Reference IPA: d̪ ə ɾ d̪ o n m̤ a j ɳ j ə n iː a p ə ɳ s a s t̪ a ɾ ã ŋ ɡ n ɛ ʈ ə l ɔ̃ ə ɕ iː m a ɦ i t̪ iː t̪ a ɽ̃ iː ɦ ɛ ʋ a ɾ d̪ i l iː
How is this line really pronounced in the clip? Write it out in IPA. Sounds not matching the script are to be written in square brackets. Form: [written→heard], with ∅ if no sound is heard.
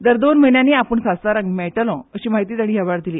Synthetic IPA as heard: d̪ ə ɾ d̪ o n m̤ [a→ə] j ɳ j [ə→a] n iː a p ə ɳ s a s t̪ a ɾ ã ŋ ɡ [n→m] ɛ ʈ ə l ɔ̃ ə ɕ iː m a ɦ i t̪ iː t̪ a ɽ̃ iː ɦ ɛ ʋ a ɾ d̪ i l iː

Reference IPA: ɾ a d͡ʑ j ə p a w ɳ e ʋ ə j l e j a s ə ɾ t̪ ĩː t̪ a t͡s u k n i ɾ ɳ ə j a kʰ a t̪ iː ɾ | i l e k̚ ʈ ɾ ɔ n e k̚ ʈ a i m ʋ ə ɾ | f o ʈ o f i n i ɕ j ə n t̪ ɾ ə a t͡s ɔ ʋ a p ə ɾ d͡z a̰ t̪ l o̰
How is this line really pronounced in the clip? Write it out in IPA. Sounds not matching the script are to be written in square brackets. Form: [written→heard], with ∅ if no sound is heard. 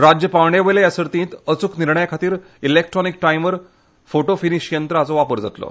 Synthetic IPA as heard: ɾ a d͡ʑ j ə p a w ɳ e ʋ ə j l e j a s ə ɾ t̪ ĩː t̪ [a→ə] t͡s u k n i ɾ ɳ ə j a kʰ a t̪ iː ɾ | i l e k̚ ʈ ɾ ɔ n [e→i] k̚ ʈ a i m ʋ ə ɾ | f o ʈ o f i n i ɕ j ə n t̪ ɾ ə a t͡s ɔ ʋ a p ə ɾ d͡z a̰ t̪ l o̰

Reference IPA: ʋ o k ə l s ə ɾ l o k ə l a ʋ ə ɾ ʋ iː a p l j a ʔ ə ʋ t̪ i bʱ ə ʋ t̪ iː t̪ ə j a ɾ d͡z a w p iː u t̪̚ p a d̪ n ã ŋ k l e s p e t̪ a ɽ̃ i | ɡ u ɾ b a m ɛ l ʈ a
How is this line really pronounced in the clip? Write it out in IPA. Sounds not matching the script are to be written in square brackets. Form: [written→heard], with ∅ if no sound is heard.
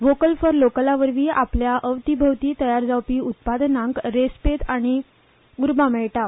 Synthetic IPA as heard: ʋ o k ə l [s→f] ə ɾ l o k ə l a ʋ ə ɾ ʋ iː a p l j a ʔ ə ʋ t̪ i bʱ ə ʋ t̪ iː t̪ ə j a ɾ d͡z a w p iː u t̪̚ p a d̪ n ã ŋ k [l→ɾ] e s p e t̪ a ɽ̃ i | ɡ u ɾ b a m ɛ [l→ɭ] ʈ a

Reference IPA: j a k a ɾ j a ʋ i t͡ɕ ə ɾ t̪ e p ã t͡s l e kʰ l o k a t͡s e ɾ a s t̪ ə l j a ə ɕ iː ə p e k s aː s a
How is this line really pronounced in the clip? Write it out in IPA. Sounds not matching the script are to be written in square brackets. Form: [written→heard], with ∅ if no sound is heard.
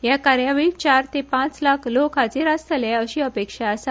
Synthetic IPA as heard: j a k a ɾ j a ʋ i t͡ɕ [ə→a] ɾ t̪ e p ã t͡s l [e→a] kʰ l o k a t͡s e ɾ a s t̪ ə l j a ə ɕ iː ə p e k [s→ʂ] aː s a

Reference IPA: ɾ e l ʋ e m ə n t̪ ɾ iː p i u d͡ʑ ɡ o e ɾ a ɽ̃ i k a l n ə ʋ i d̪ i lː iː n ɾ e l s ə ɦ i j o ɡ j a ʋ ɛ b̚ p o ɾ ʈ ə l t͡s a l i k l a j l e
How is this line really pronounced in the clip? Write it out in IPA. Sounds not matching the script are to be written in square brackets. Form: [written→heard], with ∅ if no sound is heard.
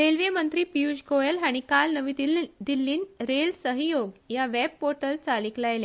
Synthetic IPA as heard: ɾ e l ʋ e m ə n t̪ ɾ iː p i u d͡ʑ ɡ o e [ɾ→l] a ɽ̃ i k a l n ə ʋ i d̪ i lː iː n ɾ e l s ə ɦ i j o ɡ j a ʋ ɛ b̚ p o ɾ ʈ ə l t͡s a l i k l a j l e

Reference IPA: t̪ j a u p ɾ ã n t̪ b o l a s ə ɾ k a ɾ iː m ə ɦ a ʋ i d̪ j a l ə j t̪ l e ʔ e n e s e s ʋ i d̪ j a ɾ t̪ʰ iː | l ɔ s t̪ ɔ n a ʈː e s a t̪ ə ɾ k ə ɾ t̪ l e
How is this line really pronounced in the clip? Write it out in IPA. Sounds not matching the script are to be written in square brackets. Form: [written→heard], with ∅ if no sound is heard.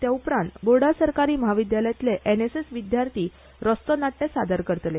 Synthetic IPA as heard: t̪ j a u p ɾ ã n t̪ b o [l→ɽ] a s ə ɾ k a ɾ iː m ə ɦ a ʋ i d̪ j a l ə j t̪ l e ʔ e n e s e s ʋ i d̪ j a ɾ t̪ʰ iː | [l→ɾ] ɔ s t̪ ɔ n a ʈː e s a [t̪→d̪] ə ɾ k ə ɾ t̪ l e

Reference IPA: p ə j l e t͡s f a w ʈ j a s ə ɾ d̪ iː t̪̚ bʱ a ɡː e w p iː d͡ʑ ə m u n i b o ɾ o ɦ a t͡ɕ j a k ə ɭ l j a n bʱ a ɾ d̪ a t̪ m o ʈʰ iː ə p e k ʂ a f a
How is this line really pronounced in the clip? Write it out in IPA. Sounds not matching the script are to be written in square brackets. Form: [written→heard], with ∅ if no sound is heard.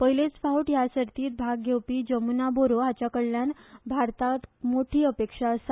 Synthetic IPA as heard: p ə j l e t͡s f a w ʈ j a s ə ɾ [d̪→t̪] iː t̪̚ bʱ a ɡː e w p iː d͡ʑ ə m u n [i→a] b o ɾ o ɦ a t͡ɕ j a k ə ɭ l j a n bʱ a ɾ [d̪→t̪] a t̪ m o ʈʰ iː ə p e k ʂ a [f→s] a

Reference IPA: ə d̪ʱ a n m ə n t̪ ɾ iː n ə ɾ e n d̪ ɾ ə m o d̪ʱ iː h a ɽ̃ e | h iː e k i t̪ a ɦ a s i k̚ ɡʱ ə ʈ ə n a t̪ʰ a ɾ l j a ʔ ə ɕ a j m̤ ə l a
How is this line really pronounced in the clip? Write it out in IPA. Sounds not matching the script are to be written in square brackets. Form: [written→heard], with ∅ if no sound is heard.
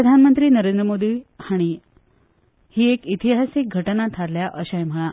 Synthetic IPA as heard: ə d̪ʱ a n m ə n t̪ ɾ iː n ə ɾ e n d̪ ɾ ə m o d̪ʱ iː h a ɽ̃ [e→i] | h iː e k i t̪ [a→i] ɦ a s i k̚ ɡʱ ə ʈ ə n a t̪ʰ a ɾ l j a ʔ ə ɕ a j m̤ ə [l→ɭ] a

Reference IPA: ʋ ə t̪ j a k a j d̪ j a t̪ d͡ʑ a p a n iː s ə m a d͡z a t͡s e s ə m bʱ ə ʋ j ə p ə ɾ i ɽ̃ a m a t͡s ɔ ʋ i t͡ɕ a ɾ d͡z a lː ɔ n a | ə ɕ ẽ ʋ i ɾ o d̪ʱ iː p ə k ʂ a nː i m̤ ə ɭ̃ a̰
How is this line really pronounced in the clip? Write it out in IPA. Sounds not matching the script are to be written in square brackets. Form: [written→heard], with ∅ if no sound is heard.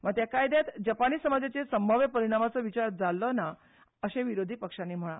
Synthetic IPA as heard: ʋ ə t̪ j a k a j d̪ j a t̪ d͡ʑ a p a n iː s ə m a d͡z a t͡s e s ə m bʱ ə ʋ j ə p ə ɾ i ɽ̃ a m a t͡s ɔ ʋ i t͡ɕ a ɾ d͡z a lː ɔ n a | ə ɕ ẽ ʋ i ɾ o d̪ʱ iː p ə k ʂ a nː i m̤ ə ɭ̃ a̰

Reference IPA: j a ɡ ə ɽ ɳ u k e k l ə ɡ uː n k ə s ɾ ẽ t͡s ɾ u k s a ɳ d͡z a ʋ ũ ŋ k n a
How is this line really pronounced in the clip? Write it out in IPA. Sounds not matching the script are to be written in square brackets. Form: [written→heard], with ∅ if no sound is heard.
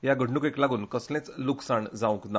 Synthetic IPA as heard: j a ɡ ə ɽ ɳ u k e k l [ə→a] ɡ uː n k ə s [ɾ→l] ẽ t͡s [ɾ→l] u k s a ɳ d͡z a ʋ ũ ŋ k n a

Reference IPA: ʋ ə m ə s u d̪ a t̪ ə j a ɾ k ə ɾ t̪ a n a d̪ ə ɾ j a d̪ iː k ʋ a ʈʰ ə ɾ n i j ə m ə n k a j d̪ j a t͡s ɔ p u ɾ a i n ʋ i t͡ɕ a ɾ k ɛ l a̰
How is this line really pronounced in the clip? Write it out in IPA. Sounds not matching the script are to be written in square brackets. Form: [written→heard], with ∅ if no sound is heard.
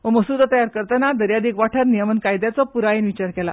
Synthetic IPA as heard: ʋ ə m ə s u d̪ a t̪ ə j a ɾ k ə ɾ t̪ a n a d̪ ə ɾ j a d̪ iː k ʋ a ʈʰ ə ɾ n i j ə m ə n k a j d̪ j a t͡s ɔ p u ɾ a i n ʋ i t͡ɕ a ɾ k ɛ l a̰

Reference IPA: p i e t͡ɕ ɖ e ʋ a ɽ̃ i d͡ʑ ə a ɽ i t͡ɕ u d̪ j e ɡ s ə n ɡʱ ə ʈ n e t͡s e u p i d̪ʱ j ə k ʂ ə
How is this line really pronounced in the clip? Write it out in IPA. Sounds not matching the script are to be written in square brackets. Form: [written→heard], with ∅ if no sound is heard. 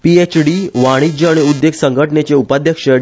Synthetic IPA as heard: p i e t͡ɕ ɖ [e→i] ʋ a ɽ̃ i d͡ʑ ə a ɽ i [t͡ɕ→∅] u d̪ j e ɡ s ə [n→ŋ] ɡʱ ə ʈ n e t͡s e u p [i→a] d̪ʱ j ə k ʂ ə

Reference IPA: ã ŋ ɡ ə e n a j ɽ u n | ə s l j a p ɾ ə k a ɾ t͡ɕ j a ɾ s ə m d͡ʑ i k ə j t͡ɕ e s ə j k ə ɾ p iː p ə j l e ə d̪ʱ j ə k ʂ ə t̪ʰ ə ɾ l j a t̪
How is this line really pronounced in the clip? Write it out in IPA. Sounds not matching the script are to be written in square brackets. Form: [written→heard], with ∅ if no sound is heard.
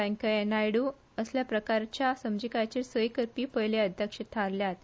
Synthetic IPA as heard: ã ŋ [ɡ→k] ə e n a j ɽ u [n→∅] | ə s l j a p ɾ ə k a ɾ t͡ɕ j a [ɾ→∅] s ə m d͡ʑ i k [ə→a] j t͡ɕ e s ə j k ə ɾ p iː p ə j l e ə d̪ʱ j ə k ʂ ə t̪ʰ [ə→a] ɾ l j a t̪

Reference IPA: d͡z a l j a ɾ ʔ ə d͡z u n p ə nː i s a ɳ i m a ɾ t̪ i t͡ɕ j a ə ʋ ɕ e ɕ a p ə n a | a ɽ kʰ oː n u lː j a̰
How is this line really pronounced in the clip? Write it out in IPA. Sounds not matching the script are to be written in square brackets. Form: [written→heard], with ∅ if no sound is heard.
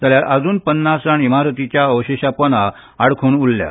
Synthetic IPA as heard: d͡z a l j a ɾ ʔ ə d͡z [u→uː] n p ə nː [i→a] s a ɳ i m a ɾ t̪ i t͡ɕ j a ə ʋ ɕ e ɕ a p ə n a | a ɽ kʰ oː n u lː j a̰

